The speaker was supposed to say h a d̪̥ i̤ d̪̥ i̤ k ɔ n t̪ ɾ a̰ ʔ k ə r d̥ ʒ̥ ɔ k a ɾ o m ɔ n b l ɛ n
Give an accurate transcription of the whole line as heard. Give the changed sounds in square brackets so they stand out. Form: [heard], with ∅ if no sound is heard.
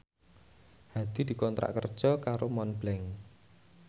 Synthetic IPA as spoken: h a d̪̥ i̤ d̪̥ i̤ k ɔ n t̪ ɾ a̰ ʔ k ə r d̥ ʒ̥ ɔ k a ɾ o m ɔ n b l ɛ [ŋ]